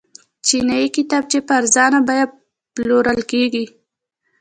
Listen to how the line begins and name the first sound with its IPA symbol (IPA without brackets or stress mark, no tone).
t͡ʃ